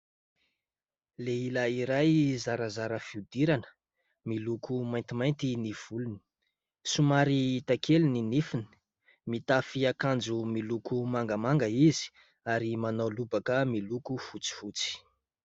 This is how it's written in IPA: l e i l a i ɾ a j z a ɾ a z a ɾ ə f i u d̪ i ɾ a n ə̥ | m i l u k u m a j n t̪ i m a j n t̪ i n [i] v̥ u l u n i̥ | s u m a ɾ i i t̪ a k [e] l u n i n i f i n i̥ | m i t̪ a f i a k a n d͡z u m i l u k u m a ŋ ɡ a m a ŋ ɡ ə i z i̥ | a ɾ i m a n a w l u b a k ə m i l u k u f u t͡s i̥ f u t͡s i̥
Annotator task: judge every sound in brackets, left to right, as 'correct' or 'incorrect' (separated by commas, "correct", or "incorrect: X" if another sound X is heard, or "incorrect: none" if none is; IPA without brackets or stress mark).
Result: correct, correct